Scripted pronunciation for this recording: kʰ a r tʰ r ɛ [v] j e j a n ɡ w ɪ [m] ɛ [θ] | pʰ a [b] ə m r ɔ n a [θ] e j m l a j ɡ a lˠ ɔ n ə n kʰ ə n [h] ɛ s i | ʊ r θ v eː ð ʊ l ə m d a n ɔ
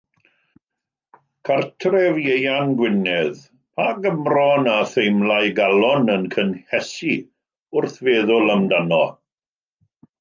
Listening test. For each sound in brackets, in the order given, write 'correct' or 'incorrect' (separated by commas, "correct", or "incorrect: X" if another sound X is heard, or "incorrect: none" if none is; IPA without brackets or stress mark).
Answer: correct, incorrect: n, incorrect: ð, incorrect: ɡ, correct, correct